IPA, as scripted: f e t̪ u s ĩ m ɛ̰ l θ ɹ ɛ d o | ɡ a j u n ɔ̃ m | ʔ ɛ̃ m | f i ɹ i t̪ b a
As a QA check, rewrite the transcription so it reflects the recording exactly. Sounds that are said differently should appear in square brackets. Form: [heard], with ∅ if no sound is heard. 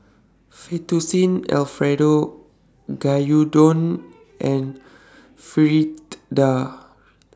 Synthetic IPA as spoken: f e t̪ u s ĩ [n] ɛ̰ l [f] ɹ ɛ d o | ɡ a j u [d] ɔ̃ [n] | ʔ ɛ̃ [n] | f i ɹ i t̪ [d] a